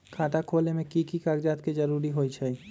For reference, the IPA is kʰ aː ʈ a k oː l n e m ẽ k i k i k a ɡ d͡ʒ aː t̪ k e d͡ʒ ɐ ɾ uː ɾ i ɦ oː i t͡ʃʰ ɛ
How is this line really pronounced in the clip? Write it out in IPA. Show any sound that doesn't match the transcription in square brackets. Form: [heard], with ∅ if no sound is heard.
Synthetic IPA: kʰ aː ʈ a [kʰ] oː l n e m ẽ k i k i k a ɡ d͡ʒ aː t̪ k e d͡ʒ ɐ ɾ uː ɾ i ɦ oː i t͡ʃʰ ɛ